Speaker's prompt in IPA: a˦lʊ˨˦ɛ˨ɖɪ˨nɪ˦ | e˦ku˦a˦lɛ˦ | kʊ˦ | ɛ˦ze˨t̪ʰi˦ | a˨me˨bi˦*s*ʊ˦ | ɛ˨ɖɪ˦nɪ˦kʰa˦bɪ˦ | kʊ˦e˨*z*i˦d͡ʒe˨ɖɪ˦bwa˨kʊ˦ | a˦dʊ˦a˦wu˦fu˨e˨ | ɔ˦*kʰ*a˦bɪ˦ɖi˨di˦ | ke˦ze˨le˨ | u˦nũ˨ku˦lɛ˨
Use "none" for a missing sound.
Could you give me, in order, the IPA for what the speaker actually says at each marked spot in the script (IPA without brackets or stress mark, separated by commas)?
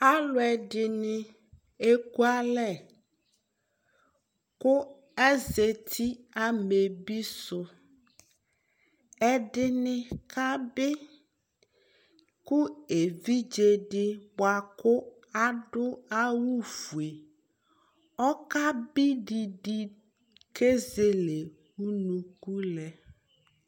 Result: s, v, k